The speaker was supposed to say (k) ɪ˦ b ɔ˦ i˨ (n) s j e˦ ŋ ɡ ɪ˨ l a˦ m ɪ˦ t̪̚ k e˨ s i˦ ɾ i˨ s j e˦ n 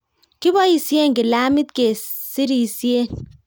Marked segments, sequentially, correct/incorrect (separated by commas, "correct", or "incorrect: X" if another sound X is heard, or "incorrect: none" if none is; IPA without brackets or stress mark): correct, incorrect: none